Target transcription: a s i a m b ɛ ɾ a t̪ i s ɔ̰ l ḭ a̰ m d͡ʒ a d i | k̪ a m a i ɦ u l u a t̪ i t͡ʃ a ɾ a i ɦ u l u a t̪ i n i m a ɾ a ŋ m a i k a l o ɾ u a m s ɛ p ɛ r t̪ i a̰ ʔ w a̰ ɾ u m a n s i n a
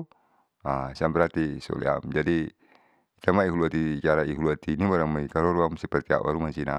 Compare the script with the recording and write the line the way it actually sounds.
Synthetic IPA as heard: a s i a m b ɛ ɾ a t̪ i s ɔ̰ l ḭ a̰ m d͡ʒ a d i | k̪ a m a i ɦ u l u a t̪ i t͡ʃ a ɾ a i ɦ u l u a t̪ i n i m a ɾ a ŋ m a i k a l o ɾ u a m s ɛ p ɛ r t̪ i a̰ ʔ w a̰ ɾ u m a n s i n a